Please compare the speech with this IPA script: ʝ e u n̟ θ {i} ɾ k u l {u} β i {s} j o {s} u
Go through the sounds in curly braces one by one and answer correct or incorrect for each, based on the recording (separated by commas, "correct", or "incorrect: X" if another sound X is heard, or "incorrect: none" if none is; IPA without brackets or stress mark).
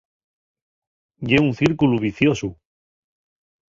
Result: correct, correct, incorrect: θ, correct